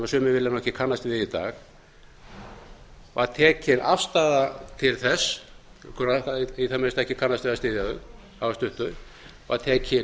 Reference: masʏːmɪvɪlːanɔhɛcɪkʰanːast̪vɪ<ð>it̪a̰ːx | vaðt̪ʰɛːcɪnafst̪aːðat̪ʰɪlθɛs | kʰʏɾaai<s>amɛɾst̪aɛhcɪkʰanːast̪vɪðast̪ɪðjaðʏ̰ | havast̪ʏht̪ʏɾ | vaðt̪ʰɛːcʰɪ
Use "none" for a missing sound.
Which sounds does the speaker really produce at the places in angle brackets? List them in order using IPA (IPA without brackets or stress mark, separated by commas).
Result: ð, θ